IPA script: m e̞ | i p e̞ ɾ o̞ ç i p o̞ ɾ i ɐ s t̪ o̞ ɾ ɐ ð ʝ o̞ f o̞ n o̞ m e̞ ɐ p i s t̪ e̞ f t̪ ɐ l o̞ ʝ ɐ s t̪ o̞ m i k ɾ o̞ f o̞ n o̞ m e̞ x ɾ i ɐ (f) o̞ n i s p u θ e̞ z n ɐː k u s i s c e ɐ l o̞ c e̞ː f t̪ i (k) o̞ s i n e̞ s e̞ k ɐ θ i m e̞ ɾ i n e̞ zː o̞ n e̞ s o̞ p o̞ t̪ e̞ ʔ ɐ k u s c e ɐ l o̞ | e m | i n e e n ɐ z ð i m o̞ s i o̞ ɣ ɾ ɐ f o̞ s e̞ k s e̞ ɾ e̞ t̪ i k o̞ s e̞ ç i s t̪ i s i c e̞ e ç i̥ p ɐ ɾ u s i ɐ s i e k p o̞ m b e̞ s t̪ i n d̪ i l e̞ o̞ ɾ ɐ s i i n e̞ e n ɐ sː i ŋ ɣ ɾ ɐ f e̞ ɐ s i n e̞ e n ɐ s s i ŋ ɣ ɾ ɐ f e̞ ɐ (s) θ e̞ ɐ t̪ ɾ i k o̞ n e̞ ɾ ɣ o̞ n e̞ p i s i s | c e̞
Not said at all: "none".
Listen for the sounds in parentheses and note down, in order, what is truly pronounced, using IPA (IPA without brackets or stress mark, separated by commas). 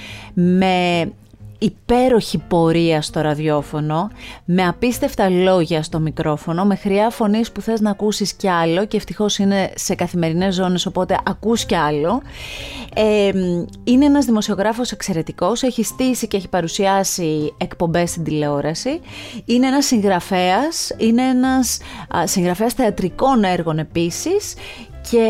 f, x, s